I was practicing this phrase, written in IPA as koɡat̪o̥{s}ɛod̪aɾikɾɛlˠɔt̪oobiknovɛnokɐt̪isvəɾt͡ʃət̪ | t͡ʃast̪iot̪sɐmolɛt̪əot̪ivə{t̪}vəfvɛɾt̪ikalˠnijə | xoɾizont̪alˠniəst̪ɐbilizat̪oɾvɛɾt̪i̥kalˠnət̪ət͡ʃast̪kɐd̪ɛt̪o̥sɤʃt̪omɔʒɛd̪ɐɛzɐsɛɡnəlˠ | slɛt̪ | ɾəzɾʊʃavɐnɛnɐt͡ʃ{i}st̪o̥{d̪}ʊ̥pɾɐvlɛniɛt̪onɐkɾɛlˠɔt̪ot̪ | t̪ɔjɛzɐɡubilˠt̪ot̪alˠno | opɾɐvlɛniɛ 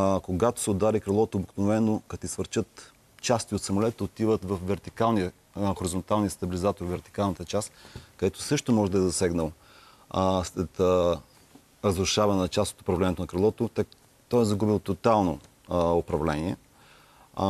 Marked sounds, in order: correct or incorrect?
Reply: correct, correct, incorrect, incorrect

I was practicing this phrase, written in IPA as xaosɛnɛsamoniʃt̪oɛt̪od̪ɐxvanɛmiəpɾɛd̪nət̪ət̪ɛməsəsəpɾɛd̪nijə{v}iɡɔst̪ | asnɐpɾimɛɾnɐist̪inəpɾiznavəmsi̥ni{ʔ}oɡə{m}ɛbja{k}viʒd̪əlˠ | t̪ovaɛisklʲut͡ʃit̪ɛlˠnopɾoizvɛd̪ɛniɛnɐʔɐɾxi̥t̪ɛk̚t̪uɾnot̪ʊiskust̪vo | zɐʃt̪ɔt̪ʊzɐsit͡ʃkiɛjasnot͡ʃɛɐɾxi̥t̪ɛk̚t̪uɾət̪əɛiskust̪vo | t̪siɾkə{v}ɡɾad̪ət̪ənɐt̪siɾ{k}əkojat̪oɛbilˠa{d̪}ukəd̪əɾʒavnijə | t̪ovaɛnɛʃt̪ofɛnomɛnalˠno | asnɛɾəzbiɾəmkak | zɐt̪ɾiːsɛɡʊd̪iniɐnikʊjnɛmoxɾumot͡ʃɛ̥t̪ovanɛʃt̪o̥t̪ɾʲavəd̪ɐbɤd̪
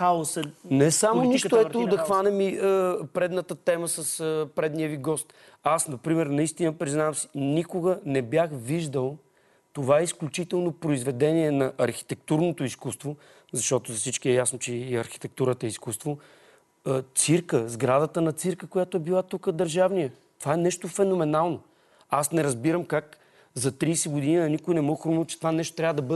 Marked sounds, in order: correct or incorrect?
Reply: correct, incorrect, incorrect, incorrect, incorrect, correct, incorrect

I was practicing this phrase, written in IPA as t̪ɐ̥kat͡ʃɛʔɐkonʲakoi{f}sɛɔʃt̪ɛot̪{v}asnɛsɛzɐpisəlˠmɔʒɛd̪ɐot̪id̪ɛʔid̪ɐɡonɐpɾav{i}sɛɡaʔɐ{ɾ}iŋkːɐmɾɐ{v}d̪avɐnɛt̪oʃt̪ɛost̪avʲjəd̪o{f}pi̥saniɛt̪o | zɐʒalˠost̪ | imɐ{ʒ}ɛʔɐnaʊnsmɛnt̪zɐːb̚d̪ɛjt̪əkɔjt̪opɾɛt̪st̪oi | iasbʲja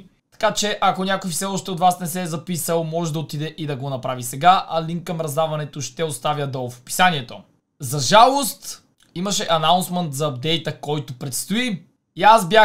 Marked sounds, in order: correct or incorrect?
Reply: correct, correct, correct, incorrect, incorrect, correct, incorrect

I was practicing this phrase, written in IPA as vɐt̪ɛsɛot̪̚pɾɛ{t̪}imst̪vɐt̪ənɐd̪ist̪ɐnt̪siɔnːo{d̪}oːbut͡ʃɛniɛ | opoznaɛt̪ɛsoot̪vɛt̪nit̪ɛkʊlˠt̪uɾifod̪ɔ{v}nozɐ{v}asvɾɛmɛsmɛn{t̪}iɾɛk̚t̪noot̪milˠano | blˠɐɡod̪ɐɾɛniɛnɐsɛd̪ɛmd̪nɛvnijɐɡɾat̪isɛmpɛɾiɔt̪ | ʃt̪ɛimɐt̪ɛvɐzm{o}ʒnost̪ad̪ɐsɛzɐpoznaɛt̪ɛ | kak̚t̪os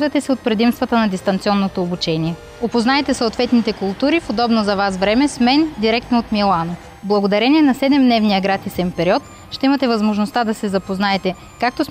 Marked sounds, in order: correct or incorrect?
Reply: incorrect, incorrect, incorrect, correct, incorrect, correct

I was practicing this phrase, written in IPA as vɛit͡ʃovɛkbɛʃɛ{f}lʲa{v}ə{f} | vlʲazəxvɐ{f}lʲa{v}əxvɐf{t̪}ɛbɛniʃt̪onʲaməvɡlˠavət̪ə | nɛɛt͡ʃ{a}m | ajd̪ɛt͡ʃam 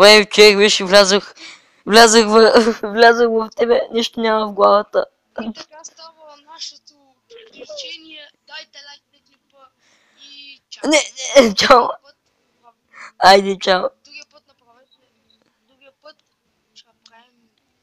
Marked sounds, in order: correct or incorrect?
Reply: incorrect, incorrect, incorrect, incorrect, incorrect, correct, correct

